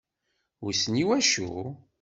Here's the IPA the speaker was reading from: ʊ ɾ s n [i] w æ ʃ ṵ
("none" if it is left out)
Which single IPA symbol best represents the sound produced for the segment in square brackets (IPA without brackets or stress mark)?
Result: i